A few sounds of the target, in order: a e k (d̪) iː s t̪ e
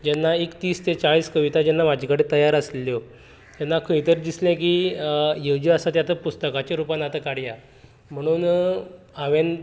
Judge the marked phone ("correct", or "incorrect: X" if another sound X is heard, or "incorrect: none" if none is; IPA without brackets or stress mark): incorrect: t̪